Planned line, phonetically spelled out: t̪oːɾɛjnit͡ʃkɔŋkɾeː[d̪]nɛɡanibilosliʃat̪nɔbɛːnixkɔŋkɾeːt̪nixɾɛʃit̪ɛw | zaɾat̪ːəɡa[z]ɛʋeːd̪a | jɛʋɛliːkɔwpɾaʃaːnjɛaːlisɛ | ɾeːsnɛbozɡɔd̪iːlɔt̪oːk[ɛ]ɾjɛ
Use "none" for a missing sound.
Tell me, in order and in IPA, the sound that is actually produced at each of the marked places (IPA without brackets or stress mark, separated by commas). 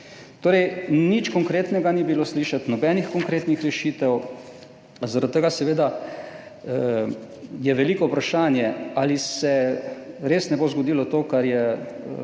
t̪, s, a